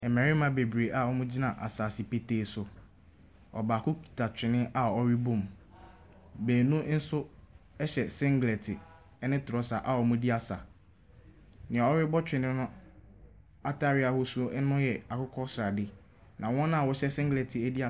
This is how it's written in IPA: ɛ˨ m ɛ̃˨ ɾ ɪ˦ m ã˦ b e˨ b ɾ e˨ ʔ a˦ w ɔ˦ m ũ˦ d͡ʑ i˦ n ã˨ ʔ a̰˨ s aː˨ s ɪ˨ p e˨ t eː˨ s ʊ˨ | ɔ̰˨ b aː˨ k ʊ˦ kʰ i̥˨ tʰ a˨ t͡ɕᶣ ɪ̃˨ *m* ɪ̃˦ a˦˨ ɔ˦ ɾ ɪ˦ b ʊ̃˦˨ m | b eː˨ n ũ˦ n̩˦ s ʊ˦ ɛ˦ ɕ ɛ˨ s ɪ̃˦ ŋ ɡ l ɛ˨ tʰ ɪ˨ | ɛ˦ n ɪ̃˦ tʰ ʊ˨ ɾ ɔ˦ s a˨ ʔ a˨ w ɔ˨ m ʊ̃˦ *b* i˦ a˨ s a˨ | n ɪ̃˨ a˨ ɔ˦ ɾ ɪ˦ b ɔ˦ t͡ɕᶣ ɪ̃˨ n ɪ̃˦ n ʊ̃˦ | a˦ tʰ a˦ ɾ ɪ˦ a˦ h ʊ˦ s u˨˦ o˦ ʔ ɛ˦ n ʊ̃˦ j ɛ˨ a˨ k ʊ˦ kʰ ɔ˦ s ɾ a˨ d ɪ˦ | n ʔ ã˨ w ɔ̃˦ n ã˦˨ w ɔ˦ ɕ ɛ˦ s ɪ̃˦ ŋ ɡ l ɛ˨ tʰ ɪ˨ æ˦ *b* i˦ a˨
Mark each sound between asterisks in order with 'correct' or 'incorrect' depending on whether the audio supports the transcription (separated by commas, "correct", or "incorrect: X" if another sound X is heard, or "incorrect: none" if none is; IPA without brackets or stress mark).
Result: incorrect: n, incorrect: d, incorrect: d